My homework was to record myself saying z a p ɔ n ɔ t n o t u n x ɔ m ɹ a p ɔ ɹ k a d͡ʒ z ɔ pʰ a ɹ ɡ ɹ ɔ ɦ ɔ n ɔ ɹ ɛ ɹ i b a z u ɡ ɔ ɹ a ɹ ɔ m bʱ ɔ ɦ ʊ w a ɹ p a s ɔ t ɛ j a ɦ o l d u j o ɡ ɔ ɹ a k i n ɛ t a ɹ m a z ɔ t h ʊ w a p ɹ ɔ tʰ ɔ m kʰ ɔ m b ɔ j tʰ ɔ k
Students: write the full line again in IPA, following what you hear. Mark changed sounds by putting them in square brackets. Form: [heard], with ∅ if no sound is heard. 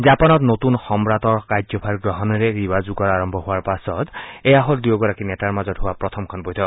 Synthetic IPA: z a p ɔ n ɔ t n o t u n x ɔ m ɹ a [t] ɔ ɹ k a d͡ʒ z ɔ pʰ a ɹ ɡ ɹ ɔ ɦ ɔ n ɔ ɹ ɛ ɹ i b a z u ɡ ɔ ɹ a ɹ ɔ m bʱ ɔ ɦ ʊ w a ɹ p a s ɔ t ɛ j a ɦ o l d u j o ɡ ɔ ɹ a k i n ɛ t a ɹ m a z ɔ t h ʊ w a p ɹ ɔ tʰ ɔ m kʰ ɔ [n] b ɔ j tʰ ɔ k